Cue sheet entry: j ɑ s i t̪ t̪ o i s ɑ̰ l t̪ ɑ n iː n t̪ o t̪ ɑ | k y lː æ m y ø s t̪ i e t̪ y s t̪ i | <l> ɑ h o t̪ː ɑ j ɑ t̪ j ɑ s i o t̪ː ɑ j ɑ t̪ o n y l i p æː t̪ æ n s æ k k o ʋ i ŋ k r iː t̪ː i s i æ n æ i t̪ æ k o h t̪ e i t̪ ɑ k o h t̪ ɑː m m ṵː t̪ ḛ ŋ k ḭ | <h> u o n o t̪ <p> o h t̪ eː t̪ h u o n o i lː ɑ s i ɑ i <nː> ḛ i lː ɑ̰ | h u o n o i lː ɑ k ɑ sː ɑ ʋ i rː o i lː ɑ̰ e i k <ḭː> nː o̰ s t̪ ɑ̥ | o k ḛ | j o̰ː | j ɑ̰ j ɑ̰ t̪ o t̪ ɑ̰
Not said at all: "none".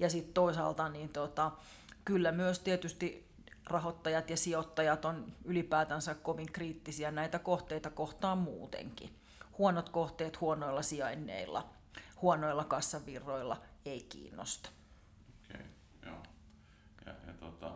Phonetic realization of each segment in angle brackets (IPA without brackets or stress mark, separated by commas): r, h, k, nː, ḭː